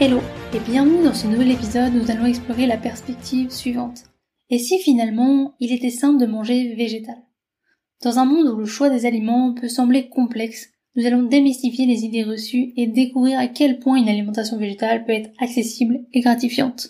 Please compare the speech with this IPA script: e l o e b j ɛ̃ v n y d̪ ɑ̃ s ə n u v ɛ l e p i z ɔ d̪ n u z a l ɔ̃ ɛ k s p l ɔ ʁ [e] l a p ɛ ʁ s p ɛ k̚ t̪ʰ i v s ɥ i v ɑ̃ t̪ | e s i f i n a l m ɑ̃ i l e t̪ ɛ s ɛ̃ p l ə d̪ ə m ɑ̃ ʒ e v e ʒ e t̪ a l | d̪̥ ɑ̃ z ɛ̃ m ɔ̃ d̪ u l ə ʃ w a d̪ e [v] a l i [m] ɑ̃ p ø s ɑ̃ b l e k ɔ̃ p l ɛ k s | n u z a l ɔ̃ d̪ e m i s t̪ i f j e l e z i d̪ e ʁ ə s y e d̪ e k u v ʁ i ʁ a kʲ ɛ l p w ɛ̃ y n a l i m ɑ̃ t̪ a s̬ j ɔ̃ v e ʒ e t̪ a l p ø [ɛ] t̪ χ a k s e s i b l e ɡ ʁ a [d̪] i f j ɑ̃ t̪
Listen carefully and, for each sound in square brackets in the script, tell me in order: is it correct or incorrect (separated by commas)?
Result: correct, incorrect, correct, correct, incorrect